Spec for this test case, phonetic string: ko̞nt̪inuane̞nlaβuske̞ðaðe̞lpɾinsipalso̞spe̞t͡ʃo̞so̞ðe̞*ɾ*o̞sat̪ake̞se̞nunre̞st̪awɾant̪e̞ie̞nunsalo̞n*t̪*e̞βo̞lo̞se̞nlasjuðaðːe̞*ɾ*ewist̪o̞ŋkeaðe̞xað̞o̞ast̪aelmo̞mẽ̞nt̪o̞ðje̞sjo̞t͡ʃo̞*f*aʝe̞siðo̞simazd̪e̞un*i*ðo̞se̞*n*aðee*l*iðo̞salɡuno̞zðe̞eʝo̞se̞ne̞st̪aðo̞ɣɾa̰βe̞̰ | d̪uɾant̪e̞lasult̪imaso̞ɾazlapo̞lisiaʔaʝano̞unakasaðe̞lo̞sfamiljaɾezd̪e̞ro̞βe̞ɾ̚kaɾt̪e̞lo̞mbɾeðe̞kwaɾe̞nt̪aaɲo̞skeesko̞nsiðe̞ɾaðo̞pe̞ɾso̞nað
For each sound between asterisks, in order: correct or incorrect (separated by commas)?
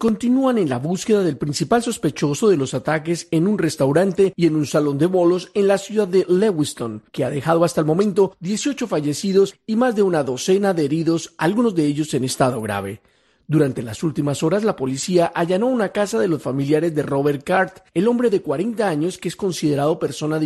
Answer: incorrect, incorrect, incorrect, correct, incorrect, correct, incorrect